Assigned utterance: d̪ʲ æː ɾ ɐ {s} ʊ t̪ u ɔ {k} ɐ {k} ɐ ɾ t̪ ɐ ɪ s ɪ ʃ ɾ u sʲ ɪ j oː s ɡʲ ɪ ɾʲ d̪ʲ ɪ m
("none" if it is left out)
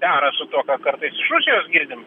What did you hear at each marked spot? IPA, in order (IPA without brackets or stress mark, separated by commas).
s, k, k